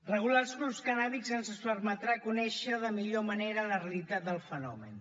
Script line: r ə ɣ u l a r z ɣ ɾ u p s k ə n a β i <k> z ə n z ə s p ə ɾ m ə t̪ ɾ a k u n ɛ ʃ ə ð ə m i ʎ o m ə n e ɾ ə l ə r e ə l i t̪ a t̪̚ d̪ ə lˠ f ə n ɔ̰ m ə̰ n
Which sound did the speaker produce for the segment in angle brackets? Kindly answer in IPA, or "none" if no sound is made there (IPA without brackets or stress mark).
k